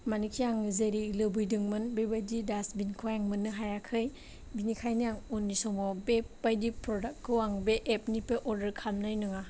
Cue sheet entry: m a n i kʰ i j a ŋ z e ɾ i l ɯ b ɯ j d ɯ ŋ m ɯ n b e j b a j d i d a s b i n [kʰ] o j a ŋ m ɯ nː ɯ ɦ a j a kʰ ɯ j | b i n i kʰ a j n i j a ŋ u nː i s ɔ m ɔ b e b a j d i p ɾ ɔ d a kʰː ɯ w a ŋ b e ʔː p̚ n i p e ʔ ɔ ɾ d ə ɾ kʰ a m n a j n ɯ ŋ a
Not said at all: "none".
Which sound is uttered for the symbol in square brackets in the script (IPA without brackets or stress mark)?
kʰ